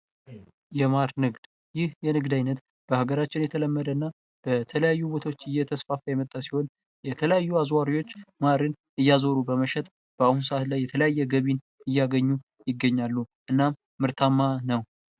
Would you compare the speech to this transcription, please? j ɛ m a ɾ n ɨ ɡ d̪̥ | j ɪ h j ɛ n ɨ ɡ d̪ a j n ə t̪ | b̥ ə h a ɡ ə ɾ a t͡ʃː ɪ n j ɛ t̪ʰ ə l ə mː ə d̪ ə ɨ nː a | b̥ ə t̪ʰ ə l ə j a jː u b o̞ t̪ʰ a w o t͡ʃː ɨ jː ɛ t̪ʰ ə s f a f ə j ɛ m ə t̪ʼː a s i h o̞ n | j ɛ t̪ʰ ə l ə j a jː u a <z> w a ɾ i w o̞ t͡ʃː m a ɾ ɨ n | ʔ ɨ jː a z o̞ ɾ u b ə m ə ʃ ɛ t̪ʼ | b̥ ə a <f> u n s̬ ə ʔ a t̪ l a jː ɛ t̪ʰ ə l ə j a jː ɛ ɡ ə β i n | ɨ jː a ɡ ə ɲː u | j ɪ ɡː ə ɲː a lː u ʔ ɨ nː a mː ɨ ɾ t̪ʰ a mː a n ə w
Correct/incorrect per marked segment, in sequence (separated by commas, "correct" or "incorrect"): correct, incorrect